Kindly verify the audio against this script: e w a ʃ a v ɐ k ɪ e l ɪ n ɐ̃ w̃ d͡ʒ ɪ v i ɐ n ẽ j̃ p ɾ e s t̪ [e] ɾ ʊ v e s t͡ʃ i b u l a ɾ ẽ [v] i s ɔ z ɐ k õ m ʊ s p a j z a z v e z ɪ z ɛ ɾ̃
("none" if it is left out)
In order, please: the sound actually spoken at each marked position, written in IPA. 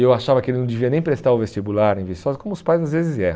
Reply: a, v

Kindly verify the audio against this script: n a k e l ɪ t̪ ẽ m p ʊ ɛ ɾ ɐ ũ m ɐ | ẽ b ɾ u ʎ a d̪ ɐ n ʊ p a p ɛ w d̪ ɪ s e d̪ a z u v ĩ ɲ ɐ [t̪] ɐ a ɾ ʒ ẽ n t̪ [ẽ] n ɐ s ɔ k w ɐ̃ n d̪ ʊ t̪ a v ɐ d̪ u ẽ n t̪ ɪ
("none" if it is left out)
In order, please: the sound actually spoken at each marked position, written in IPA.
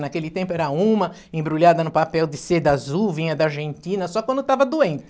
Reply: d̪, ĩ

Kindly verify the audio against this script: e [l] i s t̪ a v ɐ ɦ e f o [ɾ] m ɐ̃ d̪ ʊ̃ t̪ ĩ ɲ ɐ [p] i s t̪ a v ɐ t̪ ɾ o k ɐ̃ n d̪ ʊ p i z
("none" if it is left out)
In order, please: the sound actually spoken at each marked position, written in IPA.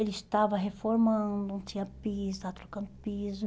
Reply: l, ɾ, p

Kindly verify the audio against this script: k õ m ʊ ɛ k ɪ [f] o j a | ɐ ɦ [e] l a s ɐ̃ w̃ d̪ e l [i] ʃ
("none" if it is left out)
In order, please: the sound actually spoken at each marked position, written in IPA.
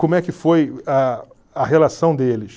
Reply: f, e, ɪ

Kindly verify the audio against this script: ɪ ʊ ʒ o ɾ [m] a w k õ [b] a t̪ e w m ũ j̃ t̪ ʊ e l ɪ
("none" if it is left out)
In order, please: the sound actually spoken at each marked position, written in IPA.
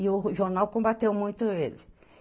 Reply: n, b

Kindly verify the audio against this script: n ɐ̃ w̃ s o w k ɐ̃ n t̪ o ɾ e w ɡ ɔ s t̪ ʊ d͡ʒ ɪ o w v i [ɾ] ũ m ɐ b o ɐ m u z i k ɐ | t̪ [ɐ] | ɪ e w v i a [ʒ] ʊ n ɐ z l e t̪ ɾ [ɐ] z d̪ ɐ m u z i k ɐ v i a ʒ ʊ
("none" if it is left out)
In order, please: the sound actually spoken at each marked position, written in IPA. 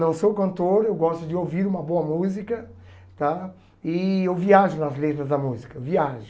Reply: ɾ, a, ʒ, ɐ

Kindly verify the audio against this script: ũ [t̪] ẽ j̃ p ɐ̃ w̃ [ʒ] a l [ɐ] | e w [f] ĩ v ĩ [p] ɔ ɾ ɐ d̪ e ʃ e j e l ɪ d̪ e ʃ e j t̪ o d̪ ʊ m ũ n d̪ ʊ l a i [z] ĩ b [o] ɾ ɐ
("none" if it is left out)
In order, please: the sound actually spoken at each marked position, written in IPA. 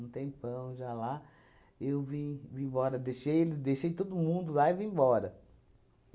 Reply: t̪, ʒ, a, v, b, v, ɔ

